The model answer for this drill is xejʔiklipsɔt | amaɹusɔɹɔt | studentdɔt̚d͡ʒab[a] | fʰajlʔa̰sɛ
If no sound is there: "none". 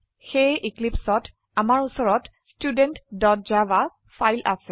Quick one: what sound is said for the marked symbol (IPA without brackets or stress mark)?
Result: a